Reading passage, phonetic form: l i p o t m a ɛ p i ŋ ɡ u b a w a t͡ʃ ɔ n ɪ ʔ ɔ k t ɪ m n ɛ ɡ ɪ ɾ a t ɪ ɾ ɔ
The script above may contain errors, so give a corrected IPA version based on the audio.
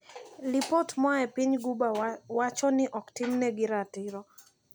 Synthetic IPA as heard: l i p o t m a ɛ p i ɲ ɡ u b a w a t͡ʃ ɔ n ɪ ʔ ɔ k t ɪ m n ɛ ɡ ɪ ɾ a t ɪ ɾ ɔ